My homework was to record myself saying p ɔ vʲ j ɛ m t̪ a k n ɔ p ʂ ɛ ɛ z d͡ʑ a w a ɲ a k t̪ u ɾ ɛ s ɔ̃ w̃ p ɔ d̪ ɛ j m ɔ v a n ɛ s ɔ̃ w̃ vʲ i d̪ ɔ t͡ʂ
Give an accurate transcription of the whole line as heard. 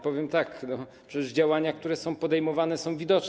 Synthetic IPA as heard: p ɔ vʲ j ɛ m t̪ a k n ɔ p ʂ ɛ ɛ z d͡ʑ a w a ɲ a k t̪ u ɾ ɛ s ɔ̃ w̃ p ɔ d̪ ɛ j m ɔ v a n ɛ s ɔ̃ w̃ vʲ i d̪ ɔ t͡ʂ